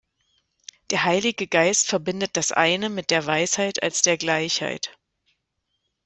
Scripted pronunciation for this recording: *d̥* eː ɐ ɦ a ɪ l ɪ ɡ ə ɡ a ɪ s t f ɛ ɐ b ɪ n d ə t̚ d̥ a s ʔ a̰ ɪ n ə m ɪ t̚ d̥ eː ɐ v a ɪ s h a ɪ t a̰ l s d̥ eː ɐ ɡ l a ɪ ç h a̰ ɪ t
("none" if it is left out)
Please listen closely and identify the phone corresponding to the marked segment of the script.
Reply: d̥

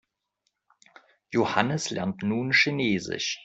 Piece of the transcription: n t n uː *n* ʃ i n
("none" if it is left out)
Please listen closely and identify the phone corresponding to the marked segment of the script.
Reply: n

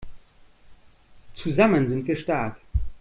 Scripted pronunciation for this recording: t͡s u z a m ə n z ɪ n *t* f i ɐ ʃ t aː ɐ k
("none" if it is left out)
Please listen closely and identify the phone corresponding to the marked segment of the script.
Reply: t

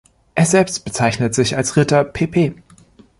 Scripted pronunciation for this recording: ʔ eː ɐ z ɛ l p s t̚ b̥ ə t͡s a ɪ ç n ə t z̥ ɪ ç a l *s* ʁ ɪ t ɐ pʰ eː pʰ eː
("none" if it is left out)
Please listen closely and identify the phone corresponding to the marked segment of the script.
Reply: s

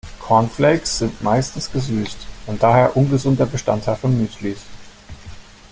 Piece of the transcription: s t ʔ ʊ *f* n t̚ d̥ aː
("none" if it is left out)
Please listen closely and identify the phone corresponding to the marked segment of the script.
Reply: none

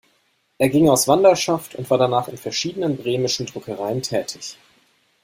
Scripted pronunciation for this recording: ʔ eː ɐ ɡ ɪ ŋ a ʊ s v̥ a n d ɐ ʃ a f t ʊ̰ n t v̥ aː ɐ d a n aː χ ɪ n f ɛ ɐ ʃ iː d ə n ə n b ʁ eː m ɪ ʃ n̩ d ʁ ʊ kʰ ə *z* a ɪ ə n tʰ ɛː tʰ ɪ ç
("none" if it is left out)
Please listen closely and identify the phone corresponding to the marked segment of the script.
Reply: ʁ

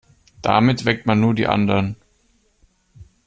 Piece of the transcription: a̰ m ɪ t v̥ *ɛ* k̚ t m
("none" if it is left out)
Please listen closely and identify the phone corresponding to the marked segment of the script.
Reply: ɛ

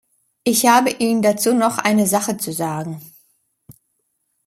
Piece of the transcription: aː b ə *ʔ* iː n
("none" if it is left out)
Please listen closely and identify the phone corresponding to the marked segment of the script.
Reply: ʔ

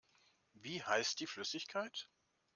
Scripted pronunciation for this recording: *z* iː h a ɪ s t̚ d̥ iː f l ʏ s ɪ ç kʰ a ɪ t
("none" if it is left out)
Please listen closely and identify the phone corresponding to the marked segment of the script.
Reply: v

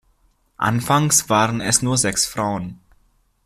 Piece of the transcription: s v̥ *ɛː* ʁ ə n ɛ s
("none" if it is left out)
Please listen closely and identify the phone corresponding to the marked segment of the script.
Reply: aː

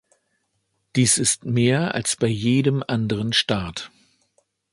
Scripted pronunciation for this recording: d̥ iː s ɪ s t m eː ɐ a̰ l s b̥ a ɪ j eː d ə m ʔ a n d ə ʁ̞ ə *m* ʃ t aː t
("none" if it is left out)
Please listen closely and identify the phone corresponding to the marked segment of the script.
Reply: n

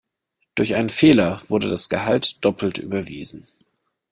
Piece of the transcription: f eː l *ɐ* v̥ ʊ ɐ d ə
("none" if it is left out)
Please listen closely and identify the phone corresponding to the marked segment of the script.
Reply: ɐ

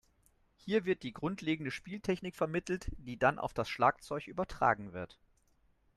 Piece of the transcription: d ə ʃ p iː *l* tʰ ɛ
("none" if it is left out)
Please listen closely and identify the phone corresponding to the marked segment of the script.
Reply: l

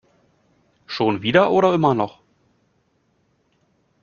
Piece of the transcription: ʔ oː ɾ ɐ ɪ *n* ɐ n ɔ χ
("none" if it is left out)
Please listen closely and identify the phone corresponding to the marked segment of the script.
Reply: m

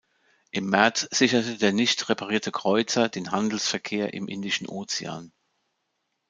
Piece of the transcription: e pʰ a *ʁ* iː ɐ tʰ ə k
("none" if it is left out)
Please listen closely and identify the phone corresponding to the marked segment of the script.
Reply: ʁ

